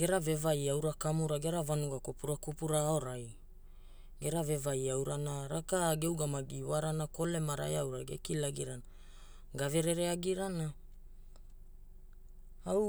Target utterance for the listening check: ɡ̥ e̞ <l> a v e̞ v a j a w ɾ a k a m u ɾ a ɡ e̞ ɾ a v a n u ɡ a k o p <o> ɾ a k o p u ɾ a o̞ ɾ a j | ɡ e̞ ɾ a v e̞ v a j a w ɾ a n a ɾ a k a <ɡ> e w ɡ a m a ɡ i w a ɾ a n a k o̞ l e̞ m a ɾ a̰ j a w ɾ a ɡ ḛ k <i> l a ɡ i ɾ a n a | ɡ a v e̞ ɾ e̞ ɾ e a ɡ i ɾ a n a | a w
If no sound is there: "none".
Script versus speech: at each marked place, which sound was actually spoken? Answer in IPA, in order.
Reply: ɾ, u, ɡ, i

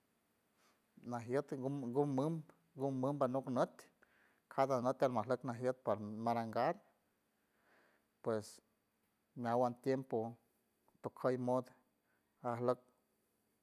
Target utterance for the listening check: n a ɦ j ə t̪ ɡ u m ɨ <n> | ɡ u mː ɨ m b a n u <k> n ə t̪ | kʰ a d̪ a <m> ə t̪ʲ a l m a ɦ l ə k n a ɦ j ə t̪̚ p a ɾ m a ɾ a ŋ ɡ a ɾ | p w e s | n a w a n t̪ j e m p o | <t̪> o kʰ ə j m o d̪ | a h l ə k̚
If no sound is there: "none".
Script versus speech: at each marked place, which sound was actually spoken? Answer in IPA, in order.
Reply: m, k, n, t̪

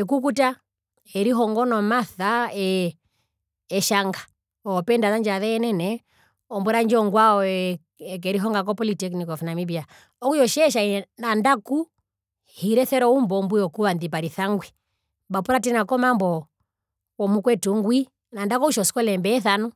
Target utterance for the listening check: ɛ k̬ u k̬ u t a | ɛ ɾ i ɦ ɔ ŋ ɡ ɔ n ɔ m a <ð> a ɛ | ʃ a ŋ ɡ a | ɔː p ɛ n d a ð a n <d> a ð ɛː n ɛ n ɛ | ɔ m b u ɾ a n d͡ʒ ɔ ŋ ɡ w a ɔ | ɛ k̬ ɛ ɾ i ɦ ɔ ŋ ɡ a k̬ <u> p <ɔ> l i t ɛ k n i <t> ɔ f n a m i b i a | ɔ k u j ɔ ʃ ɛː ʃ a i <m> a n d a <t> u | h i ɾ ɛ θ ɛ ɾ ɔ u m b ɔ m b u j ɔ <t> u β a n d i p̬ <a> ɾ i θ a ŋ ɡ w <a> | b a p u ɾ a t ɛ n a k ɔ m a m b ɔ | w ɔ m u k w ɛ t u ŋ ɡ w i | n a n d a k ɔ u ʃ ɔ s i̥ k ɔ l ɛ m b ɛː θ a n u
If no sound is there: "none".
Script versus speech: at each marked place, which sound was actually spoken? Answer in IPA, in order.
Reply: θ, d͡ʒ, ɔ, ɔ, k, n, k, k, a, i

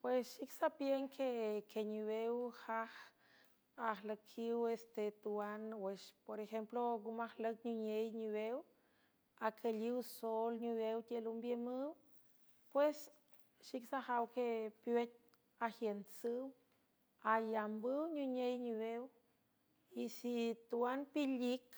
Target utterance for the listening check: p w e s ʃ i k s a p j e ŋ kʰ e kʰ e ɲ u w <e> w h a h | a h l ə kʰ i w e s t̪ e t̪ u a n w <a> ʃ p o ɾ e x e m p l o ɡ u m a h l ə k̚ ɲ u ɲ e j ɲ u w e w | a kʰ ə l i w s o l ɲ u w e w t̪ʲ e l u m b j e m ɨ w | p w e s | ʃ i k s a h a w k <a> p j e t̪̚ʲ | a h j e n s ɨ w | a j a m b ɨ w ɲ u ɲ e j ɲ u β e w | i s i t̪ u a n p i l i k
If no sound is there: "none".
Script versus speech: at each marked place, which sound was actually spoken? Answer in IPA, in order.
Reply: e, e, e

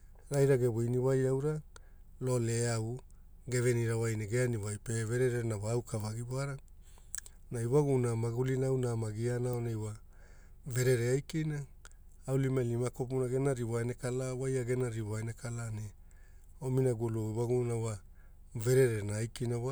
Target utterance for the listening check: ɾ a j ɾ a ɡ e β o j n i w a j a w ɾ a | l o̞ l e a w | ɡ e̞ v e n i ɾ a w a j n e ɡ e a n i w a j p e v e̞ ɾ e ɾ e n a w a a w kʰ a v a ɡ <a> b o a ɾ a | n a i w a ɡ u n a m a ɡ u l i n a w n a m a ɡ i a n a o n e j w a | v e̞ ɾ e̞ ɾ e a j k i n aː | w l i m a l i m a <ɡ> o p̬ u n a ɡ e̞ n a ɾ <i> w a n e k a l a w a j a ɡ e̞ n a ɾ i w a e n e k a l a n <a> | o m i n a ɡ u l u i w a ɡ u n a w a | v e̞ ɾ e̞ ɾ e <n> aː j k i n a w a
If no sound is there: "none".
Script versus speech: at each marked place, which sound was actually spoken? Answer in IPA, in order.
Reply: i, k, i, e, n

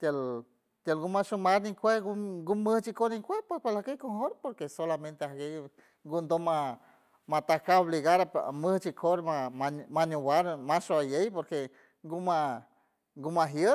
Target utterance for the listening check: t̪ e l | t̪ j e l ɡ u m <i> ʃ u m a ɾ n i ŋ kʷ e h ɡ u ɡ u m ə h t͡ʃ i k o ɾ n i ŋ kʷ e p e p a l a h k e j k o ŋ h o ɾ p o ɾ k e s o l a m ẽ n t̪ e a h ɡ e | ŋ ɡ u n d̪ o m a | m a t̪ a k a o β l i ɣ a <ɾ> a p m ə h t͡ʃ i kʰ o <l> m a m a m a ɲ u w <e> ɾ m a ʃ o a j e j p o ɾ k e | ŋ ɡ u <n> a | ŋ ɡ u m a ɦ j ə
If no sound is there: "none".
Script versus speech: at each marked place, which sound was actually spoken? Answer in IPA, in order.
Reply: a, ɾ, ɾ, a, m

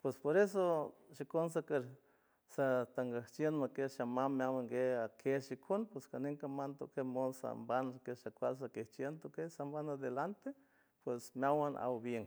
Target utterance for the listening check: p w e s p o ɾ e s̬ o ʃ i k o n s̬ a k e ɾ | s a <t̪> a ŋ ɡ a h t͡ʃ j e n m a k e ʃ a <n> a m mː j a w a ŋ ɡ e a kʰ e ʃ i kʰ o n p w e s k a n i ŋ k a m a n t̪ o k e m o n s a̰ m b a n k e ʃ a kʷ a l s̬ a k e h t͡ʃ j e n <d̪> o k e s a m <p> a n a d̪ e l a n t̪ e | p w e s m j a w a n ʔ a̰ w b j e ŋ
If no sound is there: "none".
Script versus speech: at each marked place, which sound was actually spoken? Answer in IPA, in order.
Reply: t̪, m, t̪, b

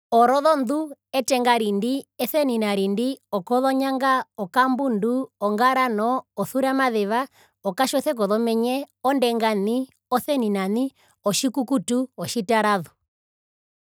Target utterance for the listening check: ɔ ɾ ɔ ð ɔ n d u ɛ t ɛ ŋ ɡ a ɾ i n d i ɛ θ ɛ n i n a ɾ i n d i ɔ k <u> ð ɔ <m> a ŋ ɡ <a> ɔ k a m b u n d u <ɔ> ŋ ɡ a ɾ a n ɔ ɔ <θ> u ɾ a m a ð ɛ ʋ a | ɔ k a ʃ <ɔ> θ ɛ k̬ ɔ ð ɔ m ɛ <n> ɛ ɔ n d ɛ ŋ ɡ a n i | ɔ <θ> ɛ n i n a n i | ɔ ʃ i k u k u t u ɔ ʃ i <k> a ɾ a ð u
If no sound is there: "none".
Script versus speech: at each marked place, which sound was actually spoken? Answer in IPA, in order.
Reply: ɔ, ɲ, a, ɔ, θ, ɔ, ɲ, θ, t

